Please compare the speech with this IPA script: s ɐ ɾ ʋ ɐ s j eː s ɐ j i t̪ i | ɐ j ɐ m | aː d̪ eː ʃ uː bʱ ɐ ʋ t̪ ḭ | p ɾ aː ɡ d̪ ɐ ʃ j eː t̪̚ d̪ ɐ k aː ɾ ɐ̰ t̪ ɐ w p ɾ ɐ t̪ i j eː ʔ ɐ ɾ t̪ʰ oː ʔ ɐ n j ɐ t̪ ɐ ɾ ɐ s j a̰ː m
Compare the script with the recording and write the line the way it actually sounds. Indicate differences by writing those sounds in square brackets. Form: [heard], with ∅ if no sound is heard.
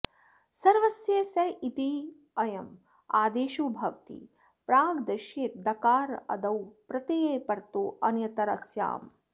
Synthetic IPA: s ɐ ɾ ʋ ɐ s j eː s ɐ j i t̪ i | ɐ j ɐ m | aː d̪ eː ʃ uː bʱ ɐ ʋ t̪ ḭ | p ɾ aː ɡ d̪ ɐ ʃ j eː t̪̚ d̪ ɐ k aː ɾ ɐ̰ [d̪] ɐ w p ɾ ɐ t̪ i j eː [p] ɐ ɾ [t̪] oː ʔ ɐ n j ɐ t̪ ɐ ɾ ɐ s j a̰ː m